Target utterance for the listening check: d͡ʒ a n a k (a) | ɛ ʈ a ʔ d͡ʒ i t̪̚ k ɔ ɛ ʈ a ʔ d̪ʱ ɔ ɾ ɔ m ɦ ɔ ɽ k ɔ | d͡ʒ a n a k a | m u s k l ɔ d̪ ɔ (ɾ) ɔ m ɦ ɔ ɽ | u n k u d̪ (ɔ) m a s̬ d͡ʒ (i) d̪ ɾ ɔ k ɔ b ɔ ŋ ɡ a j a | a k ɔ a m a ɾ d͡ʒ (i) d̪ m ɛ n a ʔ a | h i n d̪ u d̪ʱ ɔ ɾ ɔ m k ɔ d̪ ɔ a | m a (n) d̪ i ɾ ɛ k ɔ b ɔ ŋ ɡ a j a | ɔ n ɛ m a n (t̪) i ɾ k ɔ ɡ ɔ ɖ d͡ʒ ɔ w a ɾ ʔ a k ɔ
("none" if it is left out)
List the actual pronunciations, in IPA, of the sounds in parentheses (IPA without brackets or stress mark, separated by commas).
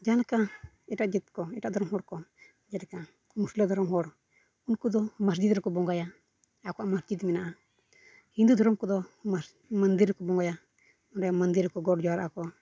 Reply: a, ɾ, ɔ, i, i, n, d̪